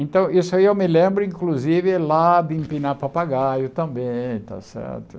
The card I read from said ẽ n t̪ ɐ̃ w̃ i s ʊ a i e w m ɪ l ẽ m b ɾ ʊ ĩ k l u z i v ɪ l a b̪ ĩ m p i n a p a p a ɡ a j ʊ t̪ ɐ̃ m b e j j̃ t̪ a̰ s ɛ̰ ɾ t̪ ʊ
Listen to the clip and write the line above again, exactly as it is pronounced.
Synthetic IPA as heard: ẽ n t̪ ɐ̃ w̃ i s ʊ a i e w m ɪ l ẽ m b ɾ ʊ ĩ k l u z i v ɪ l a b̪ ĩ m p i n a p a p a ɡ a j ʊ t̪ ɐ̃ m b ẽ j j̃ t̪ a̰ s ɛ̰ ɾ t̪ ʊ